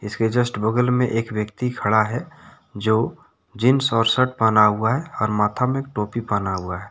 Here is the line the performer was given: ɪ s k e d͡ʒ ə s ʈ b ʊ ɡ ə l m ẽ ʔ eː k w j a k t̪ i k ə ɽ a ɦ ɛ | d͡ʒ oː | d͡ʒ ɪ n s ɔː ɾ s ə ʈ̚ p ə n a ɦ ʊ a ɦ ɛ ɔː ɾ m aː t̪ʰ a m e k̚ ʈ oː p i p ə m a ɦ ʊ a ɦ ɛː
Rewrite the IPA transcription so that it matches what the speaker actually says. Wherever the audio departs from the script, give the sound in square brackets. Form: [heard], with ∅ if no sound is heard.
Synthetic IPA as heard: ɪ s k e d͡ʒ ə s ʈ b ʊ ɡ ə l m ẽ ʔ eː k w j [ə] k t̪ i [kʰ] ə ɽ a ɦ ɛ | d͡ʒ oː | d͡ʒ ɪ n s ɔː ɾ s ə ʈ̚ p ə n a ɦ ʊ a ɦ ɛ ɔː ɾ m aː t̪ʰ a m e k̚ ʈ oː p i p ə [n] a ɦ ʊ a ɦ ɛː